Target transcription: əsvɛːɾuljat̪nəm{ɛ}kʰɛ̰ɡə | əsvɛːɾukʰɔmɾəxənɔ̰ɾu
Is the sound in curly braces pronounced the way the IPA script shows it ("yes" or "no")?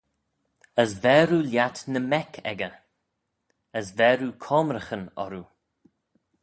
yes